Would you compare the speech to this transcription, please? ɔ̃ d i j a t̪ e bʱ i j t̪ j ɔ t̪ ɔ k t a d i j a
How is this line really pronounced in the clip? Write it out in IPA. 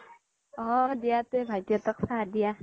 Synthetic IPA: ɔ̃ d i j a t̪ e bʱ a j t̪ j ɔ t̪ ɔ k s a d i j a